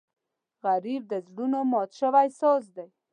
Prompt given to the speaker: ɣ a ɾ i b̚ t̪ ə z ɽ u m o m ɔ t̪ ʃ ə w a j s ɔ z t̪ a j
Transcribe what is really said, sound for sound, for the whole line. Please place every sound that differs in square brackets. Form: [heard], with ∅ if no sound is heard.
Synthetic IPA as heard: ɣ a ɾ i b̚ [d̪] ə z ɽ u [n] o m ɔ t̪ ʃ ə w a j s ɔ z [d̪] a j